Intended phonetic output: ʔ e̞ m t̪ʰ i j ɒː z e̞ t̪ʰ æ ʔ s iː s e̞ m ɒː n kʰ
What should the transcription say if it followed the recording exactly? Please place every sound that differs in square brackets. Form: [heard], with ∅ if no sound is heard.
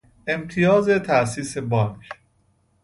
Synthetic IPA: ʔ e̞ m t̪ʰ i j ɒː z e̞ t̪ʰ æ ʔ s iː s e̞ [b] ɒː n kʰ